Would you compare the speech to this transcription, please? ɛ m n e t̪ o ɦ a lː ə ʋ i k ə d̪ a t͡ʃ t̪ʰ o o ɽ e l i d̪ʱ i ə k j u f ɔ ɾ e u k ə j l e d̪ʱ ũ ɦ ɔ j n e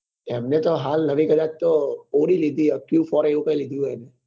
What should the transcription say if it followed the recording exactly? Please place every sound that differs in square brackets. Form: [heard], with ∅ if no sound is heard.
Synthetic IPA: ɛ m n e t̪ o ɦ a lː ə ʋ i k ə d̪ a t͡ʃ [t̪] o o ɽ [i] l i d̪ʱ i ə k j u f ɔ ɾ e u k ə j l [i] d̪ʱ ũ ɦ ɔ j n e